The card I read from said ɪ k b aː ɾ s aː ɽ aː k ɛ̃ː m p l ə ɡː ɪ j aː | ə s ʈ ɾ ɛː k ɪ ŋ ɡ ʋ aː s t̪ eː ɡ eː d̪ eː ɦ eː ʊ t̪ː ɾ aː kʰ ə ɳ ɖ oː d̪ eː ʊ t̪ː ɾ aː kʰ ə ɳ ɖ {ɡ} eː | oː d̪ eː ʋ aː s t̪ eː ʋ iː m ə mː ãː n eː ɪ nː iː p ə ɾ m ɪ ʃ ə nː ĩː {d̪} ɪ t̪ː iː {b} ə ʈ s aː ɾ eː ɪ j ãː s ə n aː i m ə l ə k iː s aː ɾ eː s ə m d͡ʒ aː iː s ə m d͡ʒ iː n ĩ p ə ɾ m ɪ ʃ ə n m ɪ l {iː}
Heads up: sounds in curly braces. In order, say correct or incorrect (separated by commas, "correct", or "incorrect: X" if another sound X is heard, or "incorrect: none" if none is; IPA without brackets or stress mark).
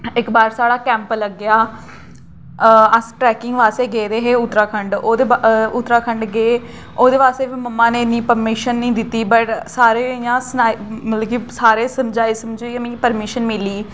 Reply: correct, correct, correct, correct